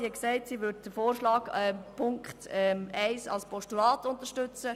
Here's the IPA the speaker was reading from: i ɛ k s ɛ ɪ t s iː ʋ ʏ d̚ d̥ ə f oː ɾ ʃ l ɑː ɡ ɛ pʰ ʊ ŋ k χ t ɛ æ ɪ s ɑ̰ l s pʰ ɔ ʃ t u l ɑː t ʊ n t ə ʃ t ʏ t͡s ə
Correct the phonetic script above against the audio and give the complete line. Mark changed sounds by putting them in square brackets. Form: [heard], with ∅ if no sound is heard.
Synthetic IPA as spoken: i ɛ k s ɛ ɪ t s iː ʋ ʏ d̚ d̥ ə f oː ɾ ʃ l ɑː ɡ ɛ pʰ ʊ ŋ k χ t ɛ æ ɪ s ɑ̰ l s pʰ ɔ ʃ t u l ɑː t ʊ n t ə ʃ t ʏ t͡s ə